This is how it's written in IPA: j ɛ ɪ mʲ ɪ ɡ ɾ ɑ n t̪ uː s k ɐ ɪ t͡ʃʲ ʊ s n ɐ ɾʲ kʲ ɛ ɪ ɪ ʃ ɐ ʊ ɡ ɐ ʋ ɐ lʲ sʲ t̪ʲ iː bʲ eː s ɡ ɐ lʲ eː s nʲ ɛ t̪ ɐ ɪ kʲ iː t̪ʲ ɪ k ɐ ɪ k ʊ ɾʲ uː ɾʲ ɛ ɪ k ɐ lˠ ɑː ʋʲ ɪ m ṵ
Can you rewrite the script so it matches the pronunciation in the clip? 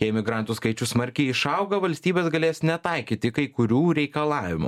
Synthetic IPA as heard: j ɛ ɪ mʲ ɪ ɡ ɾ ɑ n t̪ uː s k ɐ ɪ t͡ʃʲ ʊ s m ɐ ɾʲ kʲ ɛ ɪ ɪ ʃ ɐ ʊ ɡ ɐ ʋ ɐ lʲ sʲ t̪ʲ iː bʲ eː s ɡ ɐ lʲ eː s nʲ ɛ t̪ ɐ ɪ kʲ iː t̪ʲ ɪ k ɐ ɪ k ʊ ɾʲ uː ɾʲ ɛ ɪ k ɐ lˠ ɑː ʋʲ ɪ m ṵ